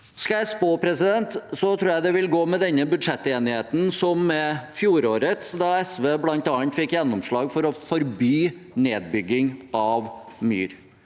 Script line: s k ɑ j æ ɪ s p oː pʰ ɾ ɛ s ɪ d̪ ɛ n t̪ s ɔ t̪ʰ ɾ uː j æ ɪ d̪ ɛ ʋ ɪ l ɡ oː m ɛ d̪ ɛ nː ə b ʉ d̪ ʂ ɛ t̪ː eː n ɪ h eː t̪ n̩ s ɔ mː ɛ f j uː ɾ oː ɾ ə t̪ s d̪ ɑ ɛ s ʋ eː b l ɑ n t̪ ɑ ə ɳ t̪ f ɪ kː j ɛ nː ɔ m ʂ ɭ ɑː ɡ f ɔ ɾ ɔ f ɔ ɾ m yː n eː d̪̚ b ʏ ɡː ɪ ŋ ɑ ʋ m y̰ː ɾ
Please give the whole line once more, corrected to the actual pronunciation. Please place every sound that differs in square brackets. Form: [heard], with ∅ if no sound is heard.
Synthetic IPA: s k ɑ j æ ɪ s p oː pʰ ɾ ɛ s ɪ d̪ ɛ n t̪ s ɔ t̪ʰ ɾ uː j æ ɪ d̪ ɛ ʋ ɪ l ɡ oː m ɛ d̪ ɛ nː ə b ʉ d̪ ʂ ɛ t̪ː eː n ɪ h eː t̪ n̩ s ɔ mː ɛ f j uː ɾ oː ɾ ə t̪ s d̪ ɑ ɛ s ʋ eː b l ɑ n t̪ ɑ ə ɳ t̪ f ɪ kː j ɛ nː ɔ m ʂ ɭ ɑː ɡ f ɔ ɾ ɔ f ɔ ɾ [b] yː n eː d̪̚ b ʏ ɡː ɪ ŋ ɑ ʋ m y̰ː ɾ